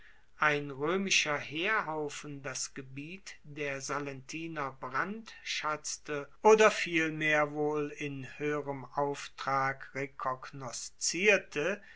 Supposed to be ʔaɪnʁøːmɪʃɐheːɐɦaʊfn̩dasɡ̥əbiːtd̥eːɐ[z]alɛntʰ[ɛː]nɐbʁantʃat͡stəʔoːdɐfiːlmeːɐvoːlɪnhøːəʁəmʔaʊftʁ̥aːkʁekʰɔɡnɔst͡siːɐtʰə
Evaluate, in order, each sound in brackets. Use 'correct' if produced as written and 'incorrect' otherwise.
correct, incorrect: iː

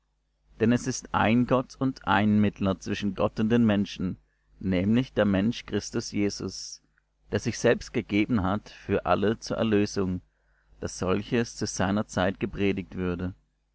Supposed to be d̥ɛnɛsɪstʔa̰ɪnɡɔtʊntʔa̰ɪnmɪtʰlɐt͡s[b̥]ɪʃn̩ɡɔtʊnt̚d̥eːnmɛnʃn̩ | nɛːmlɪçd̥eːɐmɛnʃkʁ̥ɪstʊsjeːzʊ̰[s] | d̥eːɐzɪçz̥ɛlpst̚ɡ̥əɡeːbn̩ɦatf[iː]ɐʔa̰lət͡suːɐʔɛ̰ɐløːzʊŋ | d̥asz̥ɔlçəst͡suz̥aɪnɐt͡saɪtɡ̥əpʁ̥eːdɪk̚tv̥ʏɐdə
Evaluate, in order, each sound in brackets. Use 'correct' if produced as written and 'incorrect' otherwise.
incorrect: v̥, correct, incorrect: yː

